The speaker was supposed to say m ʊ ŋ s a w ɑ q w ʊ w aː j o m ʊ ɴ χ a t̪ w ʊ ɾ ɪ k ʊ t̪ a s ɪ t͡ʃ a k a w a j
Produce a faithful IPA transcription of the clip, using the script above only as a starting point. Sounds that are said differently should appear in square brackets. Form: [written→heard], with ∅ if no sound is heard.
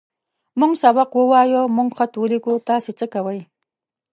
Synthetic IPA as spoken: m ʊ ŋ s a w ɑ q w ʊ w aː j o m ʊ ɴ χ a t̪ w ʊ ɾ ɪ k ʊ t̪ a s ɪ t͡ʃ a k a w a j